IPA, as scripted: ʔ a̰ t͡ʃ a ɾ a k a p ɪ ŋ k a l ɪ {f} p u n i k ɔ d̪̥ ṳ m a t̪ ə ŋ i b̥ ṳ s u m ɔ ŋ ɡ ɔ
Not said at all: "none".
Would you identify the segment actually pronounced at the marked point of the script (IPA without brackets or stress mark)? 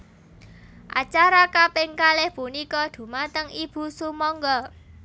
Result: h